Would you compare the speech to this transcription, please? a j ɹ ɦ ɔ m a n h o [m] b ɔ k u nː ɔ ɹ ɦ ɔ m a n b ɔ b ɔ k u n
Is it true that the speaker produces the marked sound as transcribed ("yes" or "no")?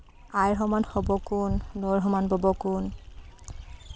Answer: no